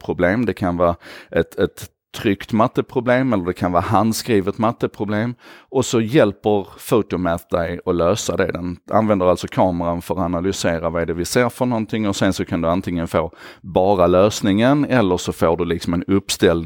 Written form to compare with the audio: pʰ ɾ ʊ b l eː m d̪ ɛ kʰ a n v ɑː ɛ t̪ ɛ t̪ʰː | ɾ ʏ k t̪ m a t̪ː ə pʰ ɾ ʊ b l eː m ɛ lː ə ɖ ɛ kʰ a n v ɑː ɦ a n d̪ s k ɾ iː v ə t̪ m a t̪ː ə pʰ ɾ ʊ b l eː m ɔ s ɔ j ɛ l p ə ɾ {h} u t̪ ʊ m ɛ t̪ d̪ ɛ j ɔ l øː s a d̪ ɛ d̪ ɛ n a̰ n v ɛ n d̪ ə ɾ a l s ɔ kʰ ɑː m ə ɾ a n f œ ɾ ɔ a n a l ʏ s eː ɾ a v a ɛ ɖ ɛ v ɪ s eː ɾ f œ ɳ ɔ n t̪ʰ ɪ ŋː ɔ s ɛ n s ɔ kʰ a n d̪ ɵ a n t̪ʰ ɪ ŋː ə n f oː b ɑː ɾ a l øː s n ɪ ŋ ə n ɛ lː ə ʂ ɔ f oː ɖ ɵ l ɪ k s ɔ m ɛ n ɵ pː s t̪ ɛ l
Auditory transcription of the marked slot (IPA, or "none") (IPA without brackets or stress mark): f